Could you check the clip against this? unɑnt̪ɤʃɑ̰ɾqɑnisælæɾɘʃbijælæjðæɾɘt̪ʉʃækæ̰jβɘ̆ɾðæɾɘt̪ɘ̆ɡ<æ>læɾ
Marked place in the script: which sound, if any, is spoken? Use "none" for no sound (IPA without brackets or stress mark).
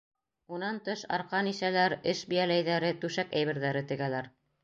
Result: æ